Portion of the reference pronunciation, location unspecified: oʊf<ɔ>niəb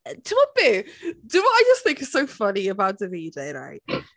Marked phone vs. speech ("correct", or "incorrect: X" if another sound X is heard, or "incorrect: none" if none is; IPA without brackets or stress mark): incorrect: ʌ